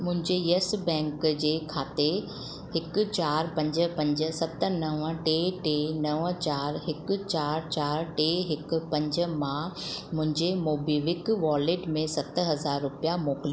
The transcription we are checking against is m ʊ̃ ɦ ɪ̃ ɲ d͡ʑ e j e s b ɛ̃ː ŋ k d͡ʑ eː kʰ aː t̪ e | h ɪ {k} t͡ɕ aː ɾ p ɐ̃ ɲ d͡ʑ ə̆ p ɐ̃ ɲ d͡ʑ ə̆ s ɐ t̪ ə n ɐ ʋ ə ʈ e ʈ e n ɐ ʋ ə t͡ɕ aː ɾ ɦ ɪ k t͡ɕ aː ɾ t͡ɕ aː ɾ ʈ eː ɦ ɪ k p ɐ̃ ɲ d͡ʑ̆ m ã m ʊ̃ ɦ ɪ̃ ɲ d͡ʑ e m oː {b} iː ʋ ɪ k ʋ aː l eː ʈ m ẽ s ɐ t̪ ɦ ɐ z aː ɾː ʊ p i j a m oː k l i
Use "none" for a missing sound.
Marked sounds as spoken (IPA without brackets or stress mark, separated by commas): k, b